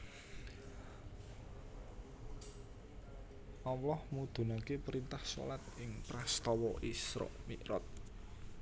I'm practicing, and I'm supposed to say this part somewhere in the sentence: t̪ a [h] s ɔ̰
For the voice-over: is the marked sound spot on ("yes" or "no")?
yes